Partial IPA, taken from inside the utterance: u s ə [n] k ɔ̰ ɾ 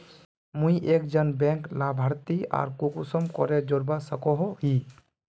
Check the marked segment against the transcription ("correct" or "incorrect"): incorrect